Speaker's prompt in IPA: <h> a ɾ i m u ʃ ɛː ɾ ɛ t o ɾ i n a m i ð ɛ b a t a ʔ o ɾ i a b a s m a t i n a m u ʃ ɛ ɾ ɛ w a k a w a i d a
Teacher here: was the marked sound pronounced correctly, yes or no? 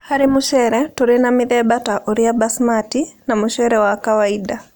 yes